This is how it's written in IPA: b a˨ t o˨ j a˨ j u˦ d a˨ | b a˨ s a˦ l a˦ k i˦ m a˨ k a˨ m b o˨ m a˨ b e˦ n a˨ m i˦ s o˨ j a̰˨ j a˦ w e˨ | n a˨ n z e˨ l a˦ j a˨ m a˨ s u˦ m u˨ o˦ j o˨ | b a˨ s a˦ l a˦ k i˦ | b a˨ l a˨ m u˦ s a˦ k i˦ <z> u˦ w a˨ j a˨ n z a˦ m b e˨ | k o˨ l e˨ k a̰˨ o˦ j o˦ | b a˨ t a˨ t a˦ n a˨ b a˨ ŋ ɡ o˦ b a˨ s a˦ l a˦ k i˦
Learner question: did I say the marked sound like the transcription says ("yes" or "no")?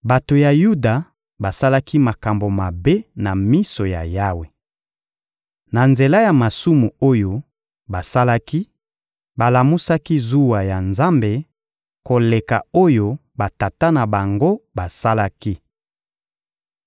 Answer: yes